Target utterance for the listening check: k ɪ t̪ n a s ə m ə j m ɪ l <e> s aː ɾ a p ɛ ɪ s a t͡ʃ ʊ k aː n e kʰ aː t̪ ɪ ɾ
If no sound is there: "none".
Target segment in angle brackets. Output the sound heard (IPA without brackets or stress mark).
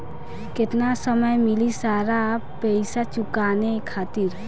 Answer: i